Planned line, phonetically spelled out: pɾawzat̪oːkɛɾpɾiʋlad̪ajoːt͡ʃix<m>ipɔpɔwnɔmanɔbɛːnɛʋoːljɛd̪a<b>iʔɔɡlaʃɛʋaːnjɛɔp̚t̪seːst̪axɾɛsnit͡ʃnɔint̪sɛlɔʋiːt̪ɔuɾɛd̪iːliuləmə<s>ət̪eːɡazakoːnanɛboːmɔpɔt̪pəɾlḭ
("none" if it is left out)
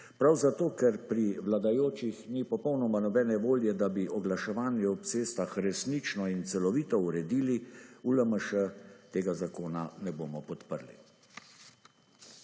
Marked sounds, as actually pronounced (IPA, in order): n, b, ʃ

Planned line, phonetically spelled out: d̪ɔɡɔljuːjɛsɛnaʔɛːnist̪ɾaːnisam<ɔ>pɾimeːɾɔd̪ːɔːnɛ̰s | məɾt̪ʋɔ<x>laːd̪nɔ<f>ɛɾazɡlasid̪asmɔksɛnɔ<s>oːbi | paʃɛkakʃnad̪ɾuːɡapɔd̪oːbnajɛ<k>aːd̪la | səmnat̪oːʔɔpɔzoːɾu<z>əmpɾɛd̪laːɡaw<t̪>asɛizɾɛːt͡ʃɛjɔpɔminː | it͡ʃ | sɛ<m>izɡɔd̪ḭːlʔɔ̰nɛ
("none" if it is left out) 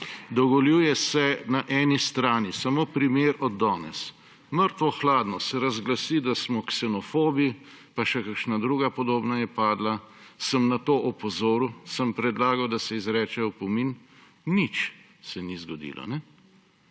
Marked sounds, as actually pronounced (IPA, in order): o, x, s, f, p, s, d̪, n

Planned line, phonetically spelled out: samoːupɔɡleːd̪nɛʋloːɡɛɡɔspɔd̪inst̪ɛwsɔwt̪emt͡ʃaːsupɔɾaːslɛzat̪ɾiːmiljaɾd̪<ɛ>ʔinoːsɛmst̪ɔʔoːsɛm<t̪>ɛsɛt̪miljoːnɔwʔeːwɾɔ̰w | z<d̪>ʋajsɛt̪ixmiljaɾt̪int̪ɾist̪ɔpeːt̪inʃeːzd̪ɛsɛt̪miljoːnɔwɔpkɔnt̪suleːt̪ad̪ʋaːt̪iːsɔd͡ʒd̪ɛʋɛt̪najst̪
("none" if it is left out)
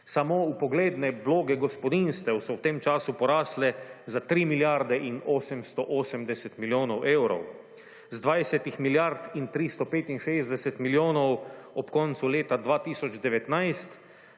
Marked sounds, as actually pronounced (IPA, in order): ɛ, d̪, d̪

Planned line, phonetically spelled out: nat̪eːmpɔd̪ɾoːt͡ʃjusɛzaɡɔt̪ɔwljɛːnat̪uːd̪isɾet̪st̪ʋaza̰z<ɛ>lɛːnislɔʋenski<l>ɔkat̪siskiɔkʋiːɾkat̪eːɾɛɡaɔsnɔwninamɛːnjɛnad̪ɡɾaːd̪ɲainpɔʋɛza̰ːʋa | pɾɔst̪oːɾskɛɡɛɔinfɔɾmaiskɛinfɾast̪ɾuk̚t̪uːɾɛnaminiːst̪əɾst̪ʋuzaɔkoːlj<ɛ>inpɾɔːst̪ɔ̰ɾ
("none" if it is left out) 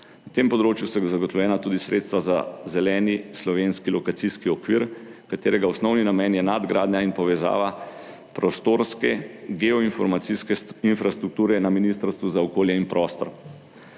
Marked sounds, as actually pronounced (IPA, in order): ɛ, l, ɛ

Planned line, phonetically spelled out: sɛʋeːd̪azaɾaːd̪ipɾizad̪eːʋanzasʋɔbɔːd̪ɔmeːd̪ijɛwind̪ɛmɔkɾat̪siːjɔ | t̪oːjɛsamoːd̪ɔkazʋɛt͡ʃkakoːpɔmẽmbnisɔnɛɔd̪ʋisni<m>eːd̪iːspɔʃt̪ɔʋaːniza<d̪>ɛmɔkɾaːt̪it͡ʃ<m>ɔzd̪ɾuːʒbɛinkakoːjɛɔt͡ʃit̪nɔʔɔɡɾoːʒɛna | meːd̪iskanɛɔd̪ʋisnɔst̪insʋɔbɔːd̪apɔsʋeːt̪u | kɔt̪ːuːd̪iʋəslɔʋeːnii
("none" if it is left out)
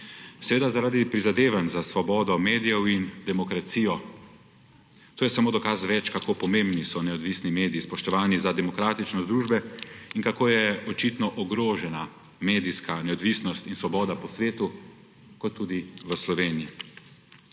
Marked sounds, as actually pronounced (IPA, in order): m, d̪, n

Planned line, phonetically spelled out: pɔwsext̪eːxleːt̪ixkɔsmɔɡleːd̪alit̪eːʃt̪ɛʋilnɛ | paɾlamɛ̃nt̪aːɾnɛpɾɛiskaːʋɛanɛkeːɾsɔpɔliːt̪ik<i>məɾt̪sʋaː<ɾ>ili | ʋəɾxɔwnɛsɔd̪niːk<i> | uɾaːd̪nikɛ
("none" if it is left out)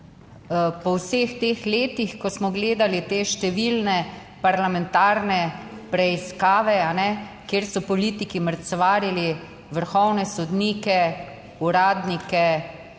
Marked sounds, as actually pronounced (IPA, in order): i, ɾ, ɛ

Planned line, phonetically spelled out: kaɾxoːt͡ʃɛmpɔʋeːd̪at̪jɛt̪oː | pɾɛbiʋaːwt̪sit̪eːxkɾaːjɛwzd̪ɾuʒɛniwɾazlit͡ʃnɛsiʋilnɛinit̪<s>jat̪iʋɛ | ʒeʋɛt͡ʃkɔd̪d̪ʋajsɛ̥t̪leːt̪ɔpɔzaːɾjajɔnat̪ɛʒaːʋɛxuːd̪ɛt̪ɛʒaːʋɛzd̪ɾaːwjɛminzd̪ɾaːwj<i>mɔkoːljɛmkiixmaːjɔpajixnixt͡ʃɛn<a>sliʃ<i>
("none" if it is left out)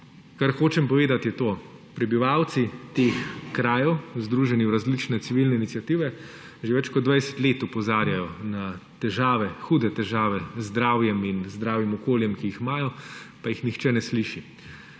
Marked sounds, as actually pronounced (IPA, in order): s, i, ɛ, i

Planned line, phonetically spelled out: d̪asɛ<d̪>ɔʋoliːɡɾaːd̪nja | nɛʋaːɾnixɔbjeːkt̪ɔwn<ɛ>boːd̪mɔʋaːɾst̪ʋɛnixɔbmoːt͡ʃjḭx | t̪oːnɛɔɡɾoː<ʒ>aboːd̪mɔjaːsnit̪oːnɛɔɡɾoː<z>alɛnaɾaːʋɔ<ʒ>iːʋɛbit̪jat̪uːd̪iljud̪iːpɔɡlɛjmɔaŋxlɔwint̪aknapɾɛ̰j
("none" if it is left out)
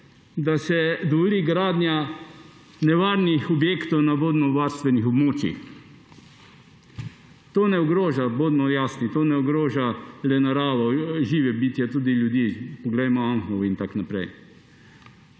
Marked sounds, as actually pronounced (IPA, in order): d̪, a, ʒ, ʒ, ʒ

